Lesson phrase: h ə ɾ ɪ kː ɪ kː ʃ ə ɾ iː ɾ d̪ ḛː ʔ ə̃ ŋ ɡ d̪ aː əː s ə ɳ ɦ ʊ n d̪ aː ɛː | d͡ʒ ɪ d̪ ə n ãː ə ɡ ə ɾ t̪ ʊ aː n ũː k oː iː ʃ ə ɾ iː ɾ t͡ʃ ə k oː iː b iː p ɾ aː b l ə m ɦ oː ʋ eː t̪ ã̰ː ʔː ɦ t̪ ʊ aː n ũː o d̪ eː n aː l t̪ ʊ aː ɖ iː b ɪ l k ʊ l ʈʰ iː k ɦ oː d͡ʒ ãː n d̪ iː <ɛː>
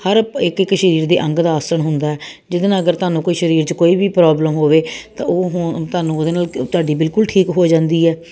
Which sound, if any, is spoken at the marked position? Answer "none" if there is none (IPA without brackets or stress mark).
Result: ɛː